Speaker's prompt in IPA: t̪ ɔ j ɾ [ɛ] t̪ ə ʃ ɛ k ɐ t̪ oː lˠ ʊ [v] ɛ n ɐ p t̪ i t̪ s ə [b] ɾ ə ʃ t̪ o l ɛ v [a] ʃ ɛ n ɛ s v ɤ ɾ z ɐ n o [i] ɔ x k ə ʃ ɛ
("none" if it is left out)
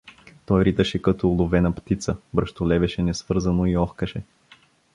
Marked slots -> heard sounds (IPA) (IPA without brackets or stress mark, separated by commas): i, v, b, ɛ, i